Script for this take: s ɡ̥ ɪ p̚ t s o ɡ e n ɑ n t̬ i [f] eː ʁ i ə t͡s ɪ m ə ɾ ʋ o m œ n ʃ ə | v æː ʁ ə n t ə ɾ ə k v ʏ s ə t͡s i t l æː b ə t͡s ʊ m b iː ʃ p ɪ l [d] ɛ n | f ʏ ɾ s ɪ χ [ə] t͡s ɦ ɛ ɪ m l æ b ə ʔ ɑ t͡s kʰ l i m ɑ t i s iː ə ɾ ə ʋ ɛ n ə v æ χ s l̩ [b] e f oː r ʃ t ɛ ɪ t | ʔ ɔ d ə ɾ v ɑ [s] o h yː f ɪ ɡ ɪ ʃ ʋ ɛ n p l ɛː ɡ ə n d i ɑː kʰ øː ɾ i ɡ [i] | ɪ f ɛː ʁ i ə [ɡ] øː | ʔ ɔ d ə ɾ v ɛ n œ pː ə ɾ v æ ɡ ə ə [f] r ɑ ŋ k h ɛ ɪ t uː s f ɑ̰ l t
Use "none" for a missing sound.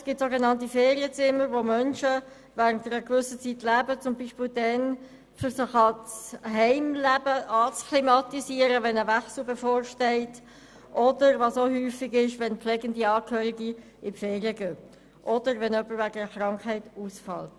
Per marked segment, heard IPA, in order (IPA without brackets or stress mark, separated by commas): f, d, ɑ, b, s, i, ɡ, χ